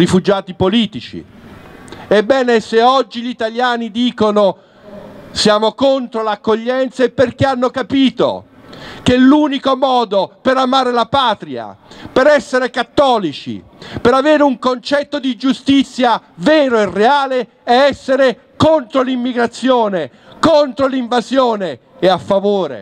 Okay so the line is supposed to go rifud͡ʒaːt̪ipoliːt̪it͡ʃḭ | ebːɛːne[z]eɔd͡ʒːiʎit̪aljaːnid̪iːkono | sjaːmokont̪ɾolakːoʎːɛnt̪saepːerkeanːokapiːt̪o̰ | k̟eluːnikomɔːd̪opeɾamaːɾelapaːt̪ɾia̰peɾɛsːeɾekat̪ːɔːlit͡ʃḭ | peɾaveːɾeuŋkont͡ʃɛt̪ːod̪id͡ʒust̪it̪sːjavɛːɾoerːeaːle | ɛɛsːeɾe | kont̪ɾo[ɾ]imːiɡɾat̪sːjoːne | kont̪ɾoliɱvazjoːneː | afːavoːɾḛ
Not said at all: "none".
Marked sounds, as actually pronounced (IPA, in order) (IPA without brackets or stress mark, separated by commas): s, l